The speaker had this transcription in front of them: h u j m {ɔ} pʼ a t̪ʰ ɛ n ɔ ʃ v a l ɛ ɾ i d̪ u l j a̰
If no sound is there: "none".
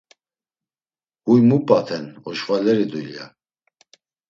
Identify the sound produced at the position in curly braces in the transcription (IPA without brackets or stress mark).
u